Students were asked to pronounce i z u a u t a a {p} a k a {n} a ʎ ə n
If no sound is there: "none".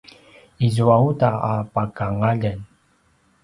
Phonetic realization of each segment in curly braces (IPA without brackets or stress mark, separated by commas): p, ŋ